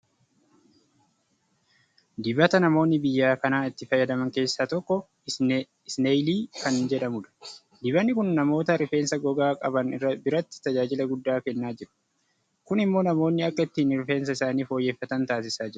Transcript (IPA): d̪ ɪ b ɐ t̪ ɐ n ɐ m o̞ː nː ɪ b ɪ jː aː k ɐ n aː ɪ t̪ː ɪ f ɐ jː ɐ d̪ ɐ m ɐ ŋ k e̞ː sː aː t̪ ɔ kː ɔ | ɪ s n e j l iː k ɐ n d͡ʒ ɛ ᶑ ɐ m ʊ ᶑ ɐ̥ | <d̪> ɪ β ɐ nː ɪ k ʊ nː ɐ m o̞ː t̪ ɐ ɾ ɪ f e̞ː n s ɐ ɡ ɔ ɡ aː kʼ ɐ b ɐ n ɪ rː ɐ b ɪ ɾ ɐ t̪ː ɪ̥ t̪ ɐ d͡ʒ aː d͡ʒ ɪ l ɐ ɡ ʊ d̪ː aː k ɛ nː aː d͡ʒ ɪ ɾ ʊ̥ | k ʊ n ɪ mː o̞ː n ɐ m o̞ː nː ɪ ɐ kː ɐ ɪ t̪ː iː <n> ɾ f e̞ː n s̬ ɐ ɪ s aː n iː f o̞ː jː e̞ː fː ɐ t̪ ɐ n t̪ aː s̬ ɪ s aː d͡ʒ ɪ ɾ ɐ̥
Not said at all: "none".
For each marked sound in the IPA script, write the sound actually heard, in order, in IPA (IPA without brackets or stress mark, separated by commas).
d̪, n